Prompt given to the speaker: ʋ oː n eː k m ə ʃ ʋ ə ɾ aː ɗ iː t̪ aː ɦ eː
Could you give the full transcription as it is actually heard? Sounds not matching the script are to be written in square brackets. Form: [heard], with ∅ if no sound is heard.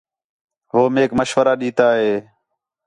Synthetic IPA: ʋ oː [m] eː k m ə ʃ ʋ ə ɾ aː ɗ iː t̪ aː ɦ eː